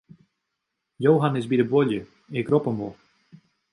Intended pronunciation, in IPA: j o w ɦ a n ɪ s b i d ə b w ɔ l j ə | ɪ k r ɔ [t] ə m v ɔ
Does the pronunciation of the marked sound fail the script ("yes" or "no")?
yes